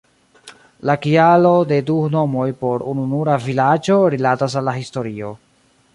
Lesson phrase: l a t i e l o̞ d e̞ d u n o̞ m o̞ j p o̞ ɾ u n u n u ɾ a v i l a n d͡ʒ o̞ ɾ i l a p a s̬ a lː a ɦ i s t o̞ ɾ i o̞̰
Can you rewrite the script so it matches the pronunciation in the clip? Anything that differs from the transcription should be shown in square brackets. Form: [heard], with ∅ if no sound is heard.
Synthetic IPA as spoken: l a [k] i [a] l o̞ d e̞ d u n o̞ m o̞ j p o̞ ɾ u n u n u ɾ a v i l a [∅] d͡ʒ o̞ ɾ i l a [t] a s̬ a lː a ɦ i s t o̞ ɾ i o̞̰